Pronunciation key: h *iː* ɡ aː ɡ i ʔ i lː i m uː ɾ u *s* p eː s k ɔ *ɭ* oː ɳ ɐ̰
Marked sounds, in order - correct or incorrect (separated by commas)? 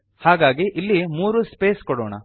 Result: incorrect, correct, incorrect